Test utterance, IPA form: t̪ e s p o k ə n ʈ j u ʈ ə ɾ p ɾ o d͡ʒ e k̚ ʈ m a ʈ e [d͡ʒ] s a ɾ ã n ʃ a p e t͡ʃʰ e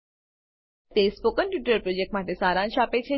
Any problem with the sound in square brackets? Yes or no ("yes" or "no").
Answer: yes